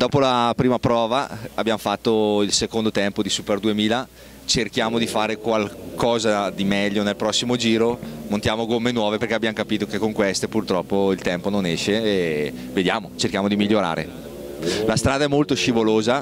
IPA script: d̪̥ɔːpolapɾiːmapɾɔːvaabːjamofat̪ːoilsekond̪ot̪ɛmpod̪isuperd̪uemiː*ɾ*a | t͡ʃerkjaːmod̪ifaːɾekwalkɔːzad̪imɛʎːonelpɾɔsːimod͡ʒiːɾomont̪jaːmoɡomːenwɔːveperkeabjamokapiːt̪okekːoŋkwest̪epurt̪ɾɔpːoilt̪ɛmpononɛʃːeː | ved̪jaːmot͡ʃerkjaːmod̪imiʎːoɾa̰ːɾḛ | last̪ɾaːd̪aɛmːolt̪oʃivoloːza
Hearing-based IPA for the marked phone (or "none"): l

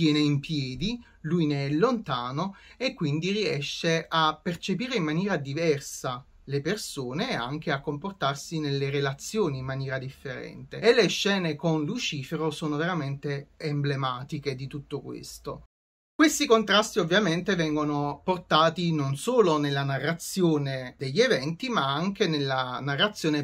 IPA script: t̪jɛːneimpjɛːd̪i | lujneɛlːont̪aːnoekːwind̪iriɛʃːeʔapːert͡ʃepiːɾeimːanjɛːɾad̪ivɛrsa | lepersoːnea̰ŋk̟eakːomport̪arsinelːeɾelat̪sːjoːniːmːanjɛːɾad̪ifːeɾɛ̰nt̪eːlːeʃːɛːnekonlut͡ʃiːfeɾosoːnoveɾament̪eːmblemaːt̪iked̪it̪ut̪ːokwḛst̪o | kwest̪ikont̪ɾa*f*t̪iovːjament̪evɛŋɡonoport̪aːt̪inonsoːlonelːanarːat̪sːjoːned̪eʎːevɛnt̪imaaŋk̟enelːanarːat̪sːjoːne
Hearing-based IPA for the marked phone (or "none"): s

